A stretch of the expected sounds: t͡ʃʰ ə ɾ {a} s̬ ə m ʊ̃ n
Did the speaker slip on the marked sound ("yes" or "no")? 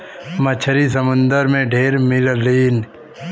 yes